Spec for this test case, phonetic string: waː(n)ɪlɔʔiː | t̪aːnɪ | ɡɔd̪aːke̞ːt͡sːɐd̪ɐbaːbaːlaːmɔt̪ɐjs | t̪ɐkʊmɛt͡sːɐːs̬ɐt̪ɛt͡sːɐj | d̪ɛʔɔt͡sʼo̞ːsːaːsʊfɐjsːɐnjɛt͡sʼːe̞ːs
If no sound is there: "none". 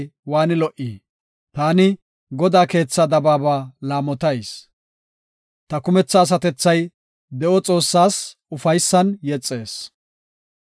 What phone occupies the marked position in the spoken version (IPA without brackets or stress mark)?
n